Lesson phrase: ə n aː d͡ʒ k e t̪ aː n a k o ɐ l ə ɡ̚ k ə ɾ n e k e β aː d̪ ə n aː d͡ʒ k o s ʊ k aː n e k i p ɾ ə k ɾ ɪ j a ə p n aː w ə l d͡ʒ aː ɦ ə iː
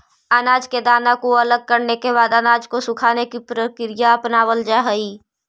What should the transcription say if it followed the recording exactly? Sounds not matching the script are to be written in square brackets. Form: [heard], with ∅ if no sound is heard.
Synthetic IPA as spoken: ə n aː d͡ʒ k e [d̪] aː n a k o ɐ l ə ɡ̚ k ə ɾ n e k e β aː d̪ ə n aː d͡ʒ k o s ʊ [kʰ] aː n e k i p ɾ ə k ɾ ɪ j a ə p n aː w ə l d͡ʒ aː ɦ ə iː